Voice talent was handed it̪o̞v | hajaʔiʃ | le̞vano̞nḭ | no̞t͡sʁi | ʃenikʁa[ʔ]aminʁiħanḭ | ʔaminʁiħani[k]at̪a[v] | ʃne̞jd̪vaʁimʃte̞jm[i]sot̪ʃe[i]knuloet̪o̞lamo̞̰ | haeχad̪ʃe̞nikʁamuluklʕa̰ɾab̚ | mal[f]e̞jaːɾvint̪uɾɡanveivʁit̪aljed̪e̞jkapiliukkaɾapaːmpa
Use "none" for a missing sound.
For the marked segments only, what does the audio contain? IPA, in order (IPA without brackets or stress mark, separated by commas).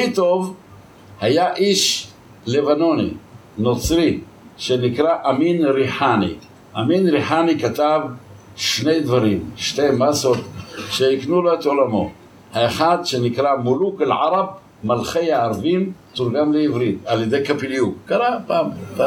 ʔ, k, v, a, i, χ